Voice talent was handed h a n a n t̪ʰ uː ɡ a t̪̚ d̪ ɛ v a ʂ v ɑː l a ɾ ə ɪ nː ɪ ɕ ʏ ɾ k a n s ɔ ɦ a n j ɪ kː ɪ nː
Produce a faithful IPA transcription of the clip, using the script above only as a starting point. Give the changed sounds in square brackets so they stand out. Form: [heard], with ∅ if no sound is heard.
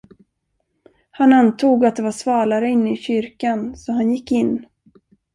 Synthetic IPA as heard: h a n a n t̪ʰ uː ɡ a t̪̚ d̪ ɛ v a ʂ v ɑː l a ɾ ə ɪ nː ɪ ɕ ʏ ɾ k a n s ɔ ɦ a n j ɪ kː ɪ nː

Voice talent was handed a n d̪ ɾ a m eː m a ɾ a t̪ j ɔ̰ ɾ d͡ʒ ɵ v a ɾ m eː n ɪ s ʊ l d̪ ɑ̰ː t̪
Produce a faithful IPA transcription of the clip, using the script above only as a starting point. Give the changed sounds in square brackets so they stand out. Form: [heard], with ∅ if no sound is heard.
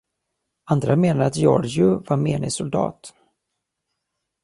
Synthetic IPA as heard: a n d̪ ɾ a m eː [n] a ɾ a t̪ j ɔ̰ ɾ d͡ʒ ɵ v a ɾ m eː n ɪ s ʊ l d̪ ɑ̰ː t̪

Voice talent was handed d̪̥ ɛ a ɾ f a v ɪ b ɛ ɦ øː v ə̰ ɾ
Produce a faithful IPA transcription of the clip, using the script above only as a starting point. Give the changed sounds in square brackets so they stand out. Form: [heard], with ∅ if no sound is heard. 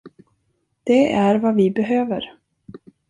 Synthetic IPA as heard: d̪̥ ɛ [æ] ɾ [v] a v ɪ b ɛ ɦ øː v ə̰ ɾ

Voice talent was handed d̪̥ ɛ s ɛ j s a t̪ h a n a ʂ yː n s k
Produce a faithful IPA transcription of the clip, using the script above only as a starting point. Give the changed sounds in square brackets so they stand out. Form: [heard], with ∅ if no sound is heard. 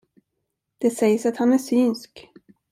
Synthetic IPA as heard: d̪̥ ɛ s ɛ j s a t̪ h a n [æ] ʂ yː n s k

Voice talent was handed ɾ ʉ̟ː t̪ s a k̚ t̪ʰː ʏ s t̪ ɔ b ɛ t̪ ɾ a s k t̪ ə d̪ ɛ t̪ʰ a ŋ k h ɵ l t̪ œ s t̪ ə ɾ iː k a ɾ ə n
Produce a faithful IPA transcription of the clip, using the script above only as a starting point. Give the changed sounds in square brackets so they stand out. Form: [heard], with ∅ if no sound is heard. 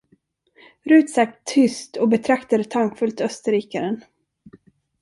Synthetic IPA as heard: ɾ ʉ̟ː t̪ s a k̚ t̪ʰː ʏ s t̪ ɔ b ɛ [t̪ʰ] ɾ a [∅] k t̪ [a] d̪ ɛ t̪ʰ a ŋ k [f] ɵ l t̪ œ s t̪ ə ɾ iː k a ɾ ə n

